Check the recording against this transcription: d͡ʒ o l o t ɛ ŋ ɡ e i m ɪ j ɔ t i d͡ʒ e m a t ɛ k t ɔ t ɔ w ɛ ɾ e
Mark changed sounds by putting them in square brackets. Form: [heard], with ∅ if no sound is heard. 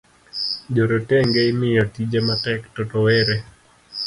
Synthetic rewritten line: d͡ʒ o [ɾ] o t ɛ ŋ ɡ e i m ɪ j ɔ t i d͡ʒ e m a t ɛ k t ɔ t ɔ w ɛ ɾ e